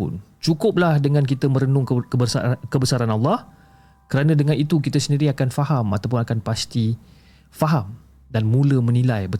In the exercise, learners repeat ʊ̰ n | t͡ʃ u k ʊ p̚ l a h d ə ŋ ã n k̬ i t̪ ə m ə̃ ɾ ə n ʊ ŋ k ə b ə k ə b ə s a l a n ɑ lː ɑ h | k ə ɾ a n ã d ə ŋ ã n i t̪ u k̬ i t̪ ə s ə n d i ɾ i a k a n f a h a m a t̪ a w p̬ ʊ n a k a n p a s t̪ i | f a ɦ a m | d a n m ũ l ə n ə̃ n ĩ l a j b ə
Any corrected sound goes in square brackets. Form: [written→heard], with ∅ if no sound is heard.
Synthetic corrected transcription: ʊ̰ n | t͡ʃ u k ʊ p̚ l a h d ə ŋ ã n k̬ i t̪ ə m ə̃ ɾ ə n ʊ ŋ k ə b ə k ə b ə s a [l→ɾ] a n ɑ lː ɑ h | k ə ɾ a n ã d ə ŋ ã n i t̪ u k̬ i t̪ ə s ə n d i ɾ i a k a n f a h a m a t̪ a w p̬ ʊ n a k a n p a s t̪ i | f a ɦ a m | d a n m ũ l ə [n→m] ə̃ n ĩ l a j b ə